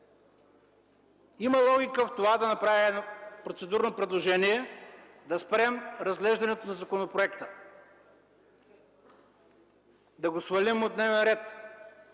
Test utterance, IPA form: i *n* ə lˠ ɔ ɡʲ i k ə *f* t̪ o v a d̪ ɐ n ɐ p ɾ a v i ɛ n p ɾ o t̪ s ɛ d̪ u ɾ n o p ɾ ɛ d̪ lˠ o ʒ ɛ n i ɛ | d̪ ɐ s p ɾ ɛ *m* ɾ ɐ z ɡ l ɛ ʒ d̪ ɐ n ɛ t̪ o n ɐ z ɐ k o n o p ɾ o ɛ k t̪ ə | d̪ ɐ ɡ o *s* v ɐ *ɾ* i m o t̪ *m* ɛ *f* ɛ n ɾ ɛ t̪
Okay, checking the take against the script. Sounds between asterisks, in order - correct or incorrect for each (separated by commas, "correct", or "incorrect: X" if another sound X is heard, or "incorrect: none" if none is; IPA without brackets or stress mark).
incorrect: m, correct, correct, correct, incorrect: l, incorrect: n, incorrect: v